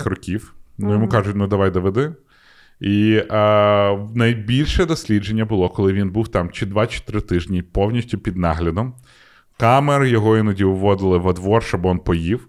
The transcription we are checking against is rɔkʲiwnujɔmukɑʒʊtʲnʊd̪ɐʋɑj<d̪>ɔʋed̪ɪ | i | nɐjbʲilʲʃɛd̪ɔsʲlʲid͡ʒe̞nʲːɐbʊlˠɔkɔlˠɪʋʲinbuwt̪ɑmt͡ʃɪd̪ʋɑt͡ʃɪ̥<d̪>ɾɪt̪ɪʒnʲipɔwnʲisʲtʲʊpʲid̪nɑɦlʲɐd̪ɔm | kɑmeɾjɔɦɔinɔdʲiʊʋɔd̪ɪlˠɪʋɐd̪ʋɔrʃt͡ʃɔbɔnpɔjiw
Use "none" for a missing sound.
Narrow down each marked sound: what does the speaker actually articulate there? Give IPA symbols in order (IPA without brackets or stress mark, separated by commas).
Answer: d̪, t̪